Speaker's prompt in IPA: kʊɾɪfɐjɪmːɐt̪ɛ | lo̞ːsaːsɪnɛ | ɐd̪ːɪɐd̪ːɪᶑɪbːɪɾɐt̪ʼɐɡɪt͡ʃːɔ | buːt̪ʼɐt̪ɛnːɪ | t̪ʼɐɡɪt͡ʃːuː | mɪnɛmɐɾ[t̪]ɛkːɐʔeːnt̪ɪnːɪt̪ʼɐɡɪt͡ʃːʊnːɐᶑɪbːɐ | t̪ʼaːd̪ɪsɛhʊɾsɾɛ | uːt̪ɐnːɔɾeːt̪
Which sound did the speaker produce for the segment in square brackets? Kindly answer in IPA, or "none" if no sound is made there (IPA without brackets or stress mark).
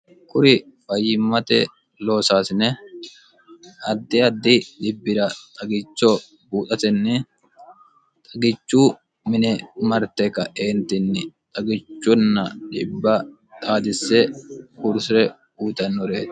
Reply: t̪